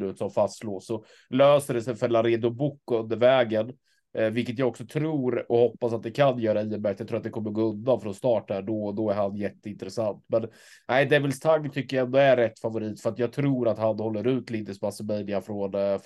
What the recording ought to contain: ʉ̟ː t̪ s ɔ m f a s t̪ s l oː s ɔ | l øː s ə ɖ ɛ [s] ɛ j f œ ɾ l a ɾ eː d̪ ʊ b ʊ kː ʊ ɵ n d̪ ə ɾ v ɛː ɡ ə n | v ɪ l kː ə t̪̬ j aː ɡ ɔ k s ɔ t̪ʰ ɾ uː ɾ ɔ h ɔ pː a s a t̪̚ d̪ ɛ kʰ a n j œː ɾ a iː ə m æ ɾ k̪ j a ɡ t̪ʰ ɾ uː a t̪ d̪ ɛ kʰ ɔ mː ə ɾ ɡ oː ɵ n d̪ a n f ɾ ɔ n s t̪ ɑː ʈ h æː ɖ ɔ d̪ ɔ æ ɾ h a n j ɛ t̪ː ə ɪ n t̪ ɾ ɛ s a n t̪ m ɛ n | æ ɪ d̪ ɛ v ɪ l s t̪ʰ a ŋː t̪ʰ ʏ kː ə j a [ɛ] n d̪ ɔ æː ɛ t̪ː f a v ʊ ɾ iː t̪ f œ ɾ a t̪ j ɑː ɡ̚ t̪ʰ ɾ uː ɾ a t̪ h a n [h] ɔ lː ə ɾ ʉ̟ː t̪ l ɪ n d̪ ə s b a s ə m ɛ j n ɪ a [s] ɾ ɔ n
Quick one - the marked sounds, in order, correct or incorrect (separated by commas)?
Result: correct, correct, correct, incorrect